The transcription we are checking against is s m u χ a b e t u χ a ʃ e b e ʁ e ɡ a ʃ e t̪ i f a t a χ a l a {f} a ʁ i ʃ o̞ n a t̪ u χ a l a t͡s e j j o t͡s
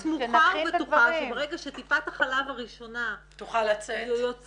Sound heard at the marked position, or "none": v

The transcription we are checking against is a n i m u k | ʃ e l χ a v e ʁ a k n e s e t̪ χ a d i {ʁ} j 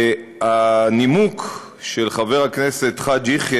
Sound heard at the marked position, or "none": χ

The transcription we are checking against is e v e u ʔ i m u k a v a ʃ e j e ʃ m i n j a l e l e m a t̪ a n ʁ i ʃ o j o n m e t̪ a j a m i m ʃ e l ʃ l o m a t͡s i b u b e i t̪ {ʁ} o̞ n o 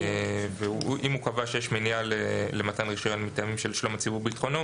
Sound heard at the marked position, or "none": χ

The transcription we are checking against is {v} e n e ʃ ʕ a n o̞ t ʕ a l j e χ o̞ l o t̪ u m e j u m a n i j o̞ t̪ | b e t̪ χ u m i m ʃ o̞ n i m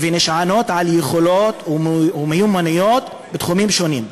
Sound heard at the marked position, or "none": v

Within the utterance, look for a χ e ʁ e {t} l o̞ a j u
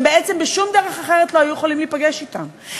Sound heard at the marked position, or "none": t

